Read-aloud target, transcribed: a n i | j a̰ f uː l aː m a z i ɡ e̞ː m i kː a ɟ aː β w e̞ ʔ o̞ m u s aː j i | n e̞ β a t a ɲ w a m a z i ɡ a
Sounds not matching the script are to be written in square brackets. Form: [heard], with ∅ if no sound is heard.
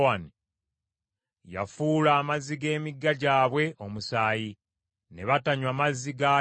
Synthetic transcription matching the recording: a n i | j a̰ f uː l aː m a z i ɡ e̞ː m i [ɡː] a ɟ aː β w e̞ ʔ o̞ m u s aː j i | n e̞ β a t a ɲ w a m a z i ɡ a